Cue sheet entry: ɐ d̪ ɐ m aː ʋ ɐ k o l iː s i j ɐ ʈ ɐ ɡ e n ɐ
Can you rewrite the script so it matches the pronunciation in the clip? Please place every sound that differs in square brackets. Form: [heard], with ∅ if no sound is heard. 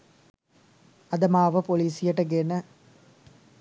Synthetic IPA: ɐ d̪ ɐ m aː ʋ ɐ [p] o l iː s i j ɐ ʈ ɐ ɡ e n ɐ